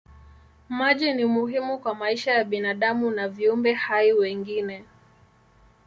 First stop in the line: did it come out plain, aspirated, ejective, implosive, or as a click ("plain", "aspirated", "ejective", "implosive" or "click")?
implosive